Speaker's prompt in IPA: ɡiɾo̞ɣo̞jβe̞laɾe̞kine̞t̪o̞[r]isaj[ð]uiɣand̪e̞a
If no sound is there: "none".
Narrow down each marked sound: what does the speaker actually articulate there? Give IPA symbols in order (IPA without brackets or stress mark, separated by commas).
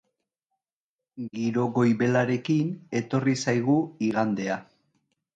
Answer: r, ɣ